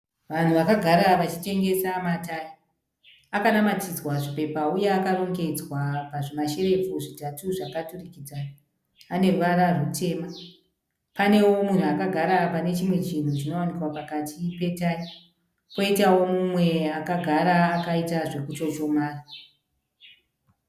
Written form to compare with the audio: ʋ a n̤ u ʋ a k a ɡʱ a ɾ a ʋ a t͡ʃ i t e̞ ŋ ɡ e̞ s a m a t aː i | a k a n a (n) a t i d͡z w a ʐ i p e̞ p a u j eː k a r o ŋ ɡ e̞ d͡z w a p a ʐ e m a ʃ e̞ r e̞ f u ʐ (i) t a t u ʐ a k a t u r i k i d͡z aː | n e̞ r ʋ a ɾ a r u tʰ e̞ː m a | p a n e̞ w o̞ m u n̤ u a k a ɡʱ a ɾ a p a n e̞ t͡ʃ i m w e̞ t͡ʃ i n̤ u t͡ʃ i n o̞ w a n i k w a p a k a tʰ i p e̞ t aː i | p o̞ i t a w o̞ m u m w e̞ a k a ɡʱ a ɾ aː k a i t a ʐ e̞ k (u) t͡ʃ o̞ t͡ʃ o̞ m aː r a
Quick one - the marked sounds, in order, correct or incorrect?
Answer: incorrect: m, correct, correct

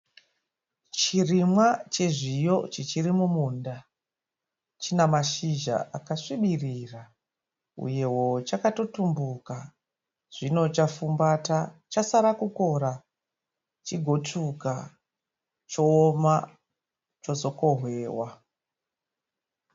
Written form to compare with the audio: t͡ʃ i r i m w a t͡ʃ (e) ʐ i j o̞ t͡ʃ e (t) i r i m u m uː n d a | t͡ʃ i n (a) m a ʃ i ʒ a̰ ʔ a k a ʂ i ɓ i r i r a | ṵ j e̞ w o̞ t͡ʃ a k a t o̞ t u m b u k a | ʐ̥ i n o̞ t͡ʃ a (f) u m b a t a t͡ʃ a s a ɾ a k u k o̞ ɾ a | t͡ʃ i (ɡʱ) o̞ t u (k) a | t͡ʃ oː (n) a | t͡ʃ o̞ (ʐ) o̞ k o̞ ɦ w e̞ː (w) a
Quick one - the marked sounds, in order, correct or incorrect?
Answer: correct, incorrect: t͡ʃ, correct, correct, correct, correct, incorrect: m, incorrect: z, correct

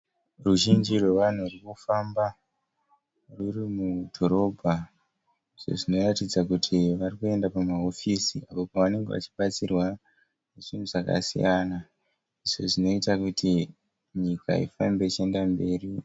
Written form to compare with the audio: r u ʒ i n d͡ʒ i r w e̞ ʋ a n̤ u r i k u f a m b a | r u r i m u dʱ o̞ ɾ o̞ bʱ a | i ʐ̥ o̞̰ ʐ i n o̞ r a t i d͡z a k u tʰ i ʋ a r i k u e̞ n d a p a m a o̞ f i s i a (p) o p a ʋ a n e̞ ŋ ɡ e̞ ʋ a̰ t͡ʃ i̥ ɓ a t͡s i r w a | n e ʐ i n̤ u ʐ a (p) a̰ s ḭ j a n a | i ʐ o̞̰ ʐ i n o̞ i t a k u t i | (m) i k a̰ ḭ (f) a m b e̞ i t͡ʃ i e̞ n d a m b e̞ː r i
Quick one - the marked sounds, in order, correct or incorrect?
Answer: correct, incorrect: k, incorrect: ɲ, correct

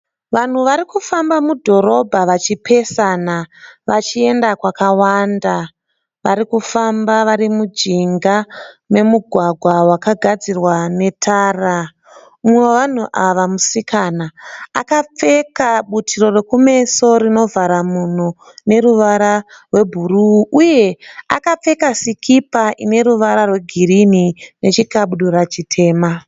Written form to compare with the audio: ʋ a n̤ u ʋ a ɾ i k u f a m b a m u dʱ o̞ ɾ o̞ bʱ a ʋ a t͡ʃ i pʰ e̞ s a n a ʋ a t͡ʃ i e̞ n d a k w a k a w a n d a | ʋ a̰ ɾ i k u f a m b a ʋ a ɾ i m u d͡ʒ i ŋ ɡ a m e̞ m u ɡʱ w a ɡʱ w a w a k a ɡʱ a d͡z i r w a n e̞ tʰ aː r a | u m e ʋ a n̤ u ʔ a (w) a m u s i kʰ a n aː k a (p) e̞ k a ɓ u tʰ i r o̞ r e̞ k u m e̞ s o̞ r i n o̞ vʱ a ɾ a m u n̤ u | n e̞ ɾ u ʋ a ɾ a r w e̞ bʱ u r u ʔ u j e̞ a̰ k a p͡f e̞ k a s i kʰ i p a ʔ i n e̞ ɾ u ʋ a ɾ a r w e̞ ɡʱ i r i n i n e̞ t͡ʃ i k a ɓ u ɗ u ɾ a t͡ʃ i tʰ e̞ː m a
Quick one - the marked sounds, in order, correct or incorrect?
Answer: incorrect: ʋ, incorrect: p͡f

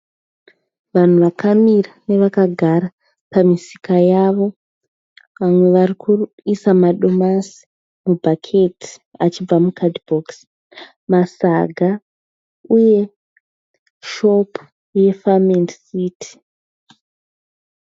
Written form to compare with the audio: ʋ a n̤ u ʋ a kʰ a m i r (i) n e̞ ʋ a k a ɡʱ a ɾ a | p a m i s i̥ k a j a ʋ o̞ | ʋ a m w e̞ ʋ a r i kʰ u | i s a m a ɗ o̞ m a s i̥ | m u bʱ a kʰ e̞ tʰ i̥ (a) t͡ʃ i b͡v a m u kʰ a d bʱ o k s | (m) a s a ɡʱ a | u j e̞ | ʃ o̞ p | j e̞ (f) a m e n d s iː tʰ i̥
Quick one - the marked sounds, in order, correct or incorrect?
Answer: incorrect: a, correct, correct, correct

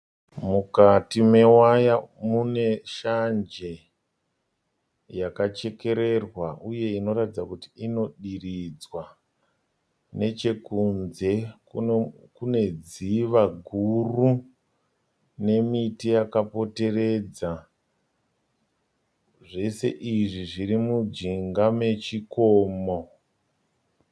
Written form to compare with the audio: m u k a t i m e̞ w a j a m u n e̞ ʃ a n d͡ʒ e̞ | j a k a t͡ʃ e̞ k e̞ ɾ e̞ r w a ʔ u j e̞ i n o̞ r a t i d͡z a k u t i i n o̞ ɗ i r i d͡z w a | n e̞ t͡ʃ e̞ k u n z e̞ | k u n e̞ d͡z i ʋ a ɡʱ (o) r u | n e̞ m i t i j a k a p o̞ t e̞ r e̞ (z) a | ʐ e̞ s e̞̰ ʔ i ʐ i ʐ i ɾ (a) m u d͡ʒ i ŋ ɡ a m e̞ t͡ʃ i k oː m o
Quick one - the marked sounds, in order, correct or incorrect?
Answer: incorrect: u, incorrect: d͡z, incorrect: i

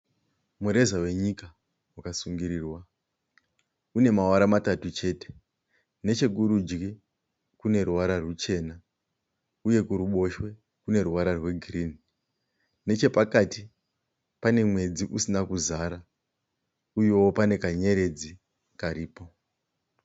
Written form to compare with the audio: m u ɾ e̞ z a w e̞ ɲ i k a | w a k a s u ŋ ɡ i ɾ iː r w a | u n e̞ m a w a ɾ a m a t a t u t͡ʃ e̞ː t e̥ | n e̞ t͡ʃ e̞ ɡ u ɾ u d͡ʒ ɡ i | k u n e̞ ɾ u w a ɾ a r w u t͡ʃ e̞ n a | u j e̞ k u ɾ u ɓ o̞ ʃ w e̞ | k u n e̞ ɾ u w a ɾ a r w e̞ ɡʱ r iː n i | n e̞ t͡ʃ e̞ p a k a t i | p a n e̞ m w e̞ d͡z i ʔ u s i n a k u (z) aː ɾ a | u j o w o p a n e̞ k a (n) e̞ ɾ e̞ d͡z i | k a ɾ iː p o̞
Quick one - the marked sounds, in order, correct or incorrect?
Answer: correct, incorrect: ɲ

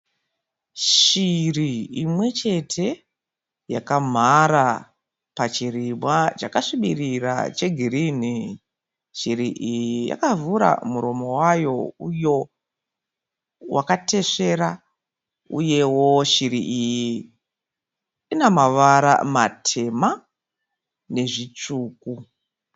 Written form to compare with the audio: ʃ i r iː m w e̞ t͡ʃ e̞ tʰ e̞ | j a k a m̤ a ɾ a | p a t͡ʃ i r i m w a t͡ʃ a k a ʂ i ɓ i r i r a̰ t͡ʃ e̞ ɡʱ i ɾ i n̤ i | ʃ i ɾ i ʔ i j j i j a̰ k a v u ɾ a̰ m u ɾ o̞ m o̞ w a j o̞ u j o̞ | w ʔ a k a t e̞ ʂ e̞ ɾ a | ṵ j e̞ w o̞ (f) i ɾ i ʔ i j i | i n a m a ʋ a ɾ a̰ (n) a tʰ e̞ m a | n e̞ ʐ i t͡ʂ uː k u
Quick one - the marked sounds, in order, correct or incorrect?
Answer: incorrect: ʃ, incorrect: m

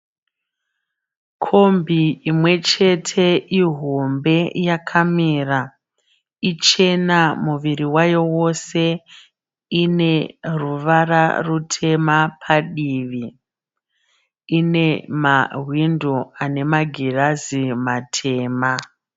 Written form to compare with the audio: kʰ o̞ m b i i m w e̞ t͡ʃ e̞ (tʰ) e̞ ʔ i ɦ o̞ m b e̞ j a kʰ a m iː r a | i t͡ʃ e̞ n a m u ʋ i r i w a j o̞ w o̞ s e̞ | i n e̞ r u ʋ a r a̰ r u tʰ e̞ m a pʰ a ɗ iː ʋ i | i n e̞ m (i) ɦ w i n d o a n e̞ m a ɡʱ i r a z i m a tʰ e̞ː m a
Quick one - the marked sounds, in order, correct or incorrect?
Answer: correct, incorrect: a

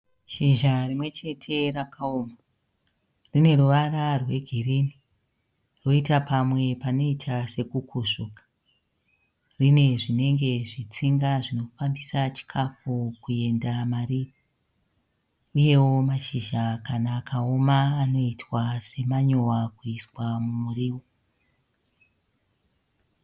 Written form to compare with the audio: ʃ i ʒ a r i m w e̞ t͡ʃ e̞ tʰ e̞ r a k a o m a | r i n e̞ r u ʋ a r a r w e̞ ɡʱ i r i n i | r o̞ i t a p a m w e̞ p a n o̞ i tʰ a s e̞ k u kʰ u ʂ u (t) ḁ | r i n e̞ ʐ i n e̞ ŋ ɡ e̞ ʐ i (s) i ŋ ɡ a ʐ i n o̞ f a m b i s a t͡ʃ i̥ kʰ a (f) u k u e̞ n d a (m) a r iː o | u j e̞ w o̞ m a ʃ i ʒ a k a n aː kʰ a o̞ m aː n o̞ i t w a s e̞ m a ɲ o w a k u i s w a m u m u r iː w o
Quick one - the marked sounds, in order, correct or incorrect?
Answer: incorrect: k, incorrect: t͡s, correct, correct

